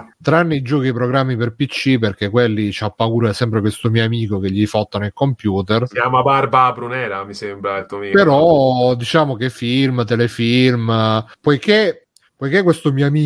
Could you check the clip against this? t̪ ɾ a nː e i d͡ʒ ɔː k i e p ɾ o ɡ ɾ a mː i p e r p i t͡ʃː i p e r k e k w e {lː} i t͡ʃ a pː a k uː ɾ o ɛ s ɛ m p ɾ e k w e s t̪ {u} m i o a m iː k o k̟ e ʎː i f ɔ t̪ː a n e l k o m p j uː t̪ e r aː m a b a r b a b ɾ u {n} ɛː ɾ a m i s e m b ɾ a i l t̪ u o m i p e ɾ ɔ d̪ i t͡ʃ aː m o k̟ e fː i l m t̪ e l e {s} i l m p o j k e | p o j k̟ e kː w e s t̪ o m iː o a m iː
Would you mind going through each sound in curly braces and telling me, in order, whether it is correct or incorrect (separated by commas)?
correct, incorrect, correct, incorrect